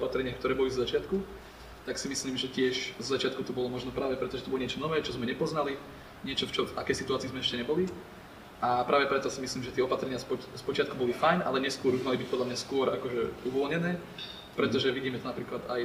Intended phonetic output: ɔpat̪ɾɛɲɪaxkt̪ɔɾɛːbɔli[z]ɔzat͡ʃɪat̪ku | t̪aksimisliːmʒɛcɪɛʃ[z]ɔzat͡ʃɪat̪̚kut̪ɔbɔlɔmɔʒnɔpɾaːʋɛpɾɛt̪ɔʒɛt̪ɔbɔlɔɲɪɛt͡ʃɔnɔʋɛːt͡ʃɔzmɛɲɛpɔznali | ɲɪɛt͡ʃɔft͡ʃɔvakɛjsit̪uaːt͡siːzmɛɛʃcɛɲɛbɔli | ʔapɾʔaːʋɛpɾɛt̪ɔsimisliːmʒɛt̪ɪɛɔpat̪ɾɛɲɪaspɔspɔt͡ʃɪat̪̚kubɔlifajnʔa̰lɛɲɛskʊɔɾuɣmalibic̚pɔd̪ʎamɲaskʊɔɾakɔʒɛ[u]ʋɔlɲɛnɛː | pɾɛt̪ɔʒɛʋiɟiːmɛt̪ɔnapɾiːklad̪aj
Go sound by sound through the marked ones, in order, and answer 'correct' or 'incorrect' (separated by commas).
correct, correct, correct